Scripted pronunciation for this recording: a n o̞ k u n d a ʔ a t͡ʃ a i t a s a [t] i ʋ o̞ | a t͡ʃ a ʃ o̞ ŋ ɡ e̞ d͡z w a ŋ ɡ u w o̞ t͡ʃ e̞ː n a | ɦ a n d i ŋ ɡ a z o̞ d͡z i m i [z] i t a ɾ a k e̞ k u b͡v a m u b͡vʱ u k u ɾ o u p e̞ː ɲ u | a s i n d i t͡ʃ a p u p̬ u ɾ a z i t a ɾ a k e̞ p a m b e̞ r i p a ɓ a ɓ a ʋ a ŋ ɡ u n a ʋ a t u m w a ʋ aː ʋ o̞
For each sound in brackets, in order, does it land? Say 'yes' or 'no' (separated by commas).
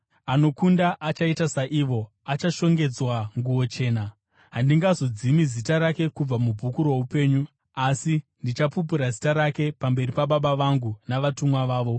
no, yes